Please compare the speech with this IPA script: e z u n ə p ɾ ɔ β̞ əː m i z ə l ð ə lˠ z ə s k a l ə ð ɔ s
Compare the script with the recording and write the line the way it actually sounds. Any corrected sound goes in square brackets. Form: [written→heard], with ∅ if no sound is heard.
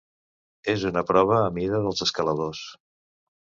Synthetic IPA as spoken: e z u n ə p ɾ ɔ β̞ əː m i [z→ð] ə [l→∅] ð ə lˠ z ə s k [a→ə] l ə ð [ɔ→o] s